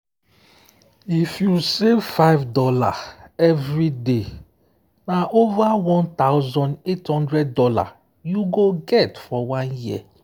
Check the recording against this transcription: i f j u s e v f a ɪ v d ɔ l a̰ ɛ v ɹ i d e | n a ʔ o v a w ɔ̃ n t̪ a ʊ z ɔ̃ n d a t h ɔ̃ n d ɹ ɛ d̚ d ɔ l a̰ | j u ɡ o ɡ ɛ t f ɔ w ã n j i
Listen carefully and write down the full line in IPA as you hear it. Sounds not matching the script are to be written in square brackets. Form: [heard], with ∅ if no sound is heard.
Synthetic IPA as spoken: i f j u s e v f a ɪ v d ɔ l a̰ ɛ v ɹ i d e | n a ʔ o v a w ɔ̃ n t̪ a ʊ z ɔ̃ n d [e] t h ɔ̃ n d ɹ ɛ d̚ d ɔ l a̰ | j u ɡ o ɡ ɛ t f ɔ w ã n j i